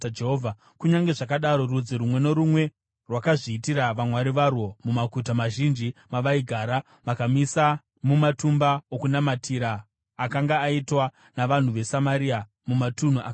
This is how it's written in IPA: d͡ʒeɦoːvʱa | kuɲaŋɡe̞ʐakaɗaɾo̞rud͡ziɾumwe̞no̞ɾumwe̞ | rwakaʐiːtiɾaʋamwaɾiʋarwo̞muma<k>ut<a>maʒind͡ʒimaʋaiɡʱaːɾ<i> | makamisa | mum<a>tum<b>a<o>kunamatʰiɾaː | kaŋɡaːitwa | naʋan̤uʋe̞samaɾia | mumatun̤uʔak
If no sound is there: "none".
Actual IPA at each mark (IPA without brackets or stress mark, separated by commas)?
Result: k, a, a, a, b, o